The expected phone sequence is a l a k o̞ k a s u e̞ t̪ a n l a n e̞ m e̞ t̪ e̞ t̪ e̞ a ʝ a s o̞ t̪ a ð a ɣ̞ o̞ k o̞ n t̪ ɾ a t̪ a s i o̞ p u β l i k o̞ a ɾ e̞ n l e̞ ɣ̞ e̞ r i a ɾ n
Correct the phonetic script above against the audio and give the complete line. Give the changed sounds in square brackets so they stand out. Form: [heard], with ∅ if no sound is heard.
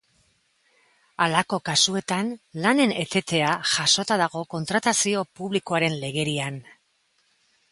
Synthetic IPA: a l a k o̞ k a s u e̞ t̪ a n l a n e̞ [n] e̞ t̪ e̞ t̪ e̞ a ʝ a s o̞ t̪ a ð a ɣ̞ o̞ k o̞ n t̪ ɾ a t̪ a s i o̞ p u β l i k o̞ a ɾ e̞ n l e̞ ɣ̞ e̞ [ɾ] i a [∅] n